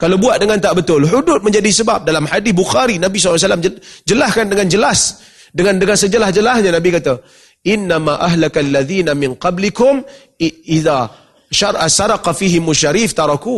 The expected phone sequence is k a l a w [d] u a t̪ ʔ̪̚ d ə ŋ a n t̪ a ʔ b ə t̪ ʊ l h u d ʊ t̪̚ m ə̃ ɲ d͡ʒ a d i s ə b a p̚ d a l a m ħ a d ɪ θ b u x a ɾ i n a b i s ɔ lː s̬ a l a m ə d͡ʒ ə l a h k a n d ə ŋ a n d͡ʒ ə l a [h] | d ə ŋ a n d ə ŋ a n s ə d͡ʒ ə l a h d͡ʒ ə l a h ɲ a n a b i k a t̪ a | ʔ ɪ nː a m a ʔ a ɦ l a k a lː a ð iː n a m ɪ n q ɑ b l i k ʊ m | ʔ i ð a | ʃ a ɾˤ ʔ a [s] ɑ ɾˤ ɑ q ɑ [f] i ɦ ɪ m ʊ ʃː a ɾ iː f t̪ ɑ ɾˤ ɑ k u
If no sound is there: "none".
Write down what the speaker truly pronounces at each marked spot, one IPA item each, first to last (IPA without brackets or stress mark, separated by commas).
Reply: b, s, s, f